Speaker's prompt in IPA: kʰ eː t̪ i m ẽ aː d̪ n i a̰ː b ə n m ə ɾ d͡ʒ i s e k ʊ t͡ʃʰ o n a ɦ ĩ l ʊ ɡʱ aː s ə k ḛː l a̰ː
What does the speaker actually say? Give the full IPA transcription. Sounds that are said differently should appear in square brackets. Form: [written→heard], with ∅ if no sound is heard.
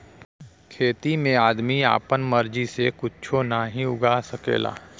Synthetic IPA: kʰ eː t̪ i m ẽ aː d̪ [n→m] i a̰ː [b→p] ə n m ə ɾ d͡ʒ i s e k ʊ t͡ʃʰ o n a ɦ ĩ [l→∅] ʊ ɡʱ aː s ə k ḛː l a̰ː